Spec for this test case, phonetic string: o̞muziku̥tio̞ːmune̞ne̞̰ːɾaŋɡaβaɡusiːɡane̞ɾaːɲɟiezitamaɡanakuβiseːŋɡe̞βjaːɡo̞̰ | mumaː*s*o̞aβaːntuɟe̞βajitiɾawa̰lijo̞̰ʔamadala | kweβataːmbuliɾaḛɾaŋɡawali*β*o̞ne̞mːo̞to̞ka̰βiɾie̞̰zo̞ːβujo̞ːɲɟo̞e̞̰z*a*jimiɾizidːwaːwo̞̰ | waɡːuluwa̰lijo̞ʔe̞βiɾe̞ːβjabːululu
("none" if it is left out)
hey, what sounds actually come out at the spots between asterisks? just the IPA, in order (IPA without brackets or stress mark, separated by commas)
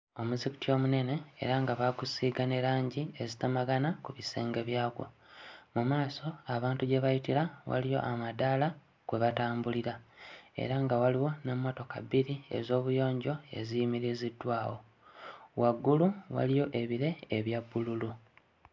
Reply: s, w, i